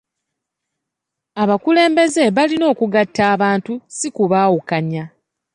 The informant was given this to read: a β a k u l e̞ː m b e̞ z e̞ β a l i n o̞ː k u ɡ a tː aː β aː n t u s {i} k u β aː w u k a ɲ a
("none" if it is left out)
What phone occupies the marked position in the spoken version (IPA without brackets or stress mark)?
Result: i